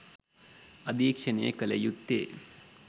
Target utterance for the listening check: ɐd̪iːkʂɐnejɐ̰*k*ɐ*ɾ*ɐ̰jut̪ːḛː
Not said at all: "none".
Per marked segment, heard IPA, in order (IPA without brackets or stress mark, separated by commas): k, l